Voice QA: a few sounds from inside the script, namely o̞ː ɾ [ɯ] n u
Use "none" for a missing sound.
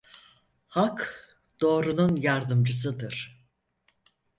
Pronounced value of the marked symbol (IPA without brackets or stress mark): u